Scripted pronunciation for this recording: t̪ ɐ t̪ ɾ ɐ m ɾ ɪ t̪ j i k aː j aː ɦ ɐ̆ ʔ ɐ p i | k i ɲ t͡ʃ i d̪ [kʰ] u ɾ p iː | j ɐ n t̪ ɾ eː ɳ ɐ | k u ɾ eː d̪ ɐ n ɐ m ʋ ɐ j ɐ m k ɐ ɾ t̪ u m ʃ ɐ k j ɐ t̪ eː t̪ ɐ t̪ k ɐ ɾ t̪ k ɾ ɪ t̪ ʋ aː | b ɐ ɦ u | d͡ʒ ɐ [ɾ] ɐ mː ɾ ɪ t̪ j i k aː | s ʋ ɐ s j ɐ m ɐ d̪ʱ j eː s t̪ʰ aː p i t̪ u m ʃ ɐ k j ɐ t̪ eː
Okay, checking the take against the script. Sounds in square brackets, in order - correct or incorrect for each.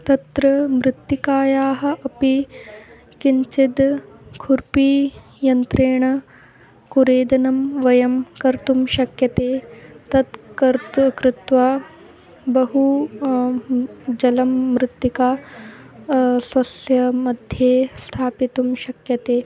correct, incorrect: l

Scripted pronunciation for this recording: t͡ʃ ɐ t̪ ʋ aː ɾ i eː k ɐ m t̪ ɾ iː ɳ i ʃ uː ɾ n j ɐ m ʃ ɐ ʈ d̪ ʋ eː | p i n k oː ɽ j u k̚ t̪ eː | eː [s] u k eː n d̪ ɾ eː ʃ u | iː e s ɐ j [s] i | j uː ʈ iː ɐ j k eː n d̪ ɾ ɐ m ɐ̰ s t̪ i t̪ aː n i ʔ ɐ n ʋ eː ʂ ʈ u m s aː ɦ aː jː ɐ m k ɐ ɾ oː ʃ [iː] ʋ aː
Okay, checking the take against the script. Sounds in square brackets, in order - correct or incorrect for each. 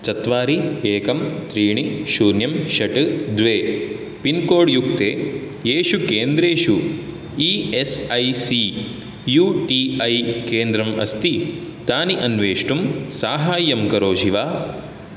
incorrect: ʃ, correct, incorrect: i

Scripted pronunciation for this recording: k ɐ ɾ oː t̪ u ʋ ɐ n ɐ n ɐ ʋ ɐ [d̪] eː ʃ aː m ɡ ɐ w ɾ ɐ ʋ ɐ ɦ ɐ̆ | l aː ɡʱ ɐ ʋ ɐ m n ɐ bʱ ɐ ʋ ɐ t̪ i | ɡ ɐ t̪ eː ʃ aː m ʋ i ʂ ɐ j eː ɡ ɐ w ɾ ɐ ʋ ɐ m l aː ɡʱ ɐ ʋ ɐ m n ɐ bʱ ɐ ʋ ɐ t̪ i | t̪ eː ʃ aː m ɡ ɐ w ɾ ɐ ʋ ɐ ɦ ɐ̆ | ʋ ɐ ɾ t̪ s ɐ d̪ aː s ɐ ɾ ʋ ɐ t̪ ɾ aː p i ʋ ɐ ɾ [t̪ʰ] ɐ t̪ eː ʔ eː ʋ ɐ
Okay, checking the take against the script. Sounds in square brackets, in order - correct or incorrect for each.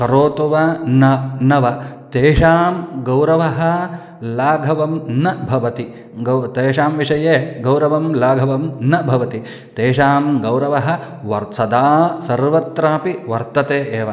incorrect: t̪, incorrect: t̪

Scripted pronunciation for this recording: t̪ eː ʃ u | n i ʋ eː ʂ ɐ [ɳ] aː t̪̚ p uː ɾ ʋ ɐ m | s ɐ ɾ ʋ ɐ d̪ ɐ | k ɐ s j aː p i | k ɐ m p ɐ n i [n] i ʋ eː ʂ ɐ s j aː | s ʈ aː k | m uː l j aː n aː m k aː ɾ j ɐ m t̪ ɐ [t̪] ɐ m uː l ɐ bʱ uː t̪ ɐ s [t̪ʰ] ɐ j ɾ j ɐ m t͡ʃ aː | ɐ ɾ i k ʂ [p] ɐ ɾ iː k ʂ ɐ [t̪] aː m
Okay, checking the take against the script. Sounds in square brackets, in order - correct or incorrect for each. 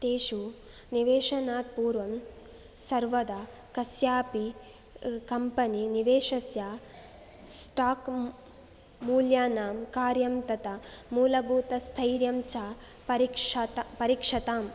incorrect: n, correct, correct, correct, correct, correct

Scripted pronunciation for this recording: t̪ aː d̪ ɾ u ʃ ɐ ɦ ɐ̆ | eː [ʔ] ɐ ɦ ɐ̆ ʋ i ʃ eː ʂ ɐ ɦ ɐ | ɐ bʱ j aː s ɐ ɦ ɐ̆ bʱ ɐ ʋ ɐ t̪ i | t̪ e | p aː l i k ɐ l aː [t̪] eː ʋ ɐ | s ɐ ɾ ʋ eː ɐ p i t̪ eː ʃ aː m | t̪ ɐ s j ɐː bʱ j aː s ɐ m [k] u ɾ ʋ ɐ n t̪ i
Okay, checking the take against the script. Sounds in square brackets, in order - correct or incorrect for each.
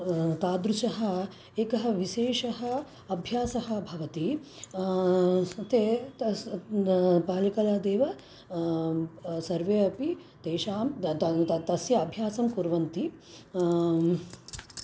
incorrect: k, incorrect: d̪, correct

